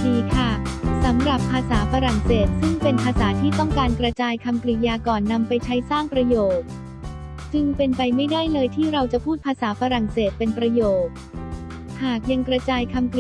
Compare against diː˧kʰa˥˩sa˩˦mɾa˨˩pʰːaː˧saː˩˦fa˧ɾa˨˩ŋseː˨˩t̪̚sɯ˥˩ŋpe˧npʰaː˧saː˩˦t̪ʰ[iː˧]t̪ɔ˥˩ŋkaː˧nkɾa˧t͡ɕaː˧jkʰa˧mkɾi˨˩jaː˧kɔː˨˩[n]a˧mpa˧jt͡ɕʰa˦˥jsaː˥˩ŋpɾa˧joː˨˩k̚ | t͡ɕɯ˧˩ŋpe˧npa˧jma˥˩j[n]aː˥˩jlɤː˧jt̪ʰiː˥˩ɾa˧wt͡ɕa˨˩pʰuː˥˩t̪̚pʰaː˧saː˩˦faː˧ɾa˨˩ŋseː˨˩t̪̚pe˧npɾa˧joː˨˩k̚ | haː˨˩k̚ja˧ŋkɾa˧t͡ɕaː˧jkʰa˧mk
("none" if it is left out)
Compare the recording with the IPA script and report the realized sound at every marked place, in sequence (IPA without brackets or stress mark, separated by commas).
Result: iː˥˩, nː, d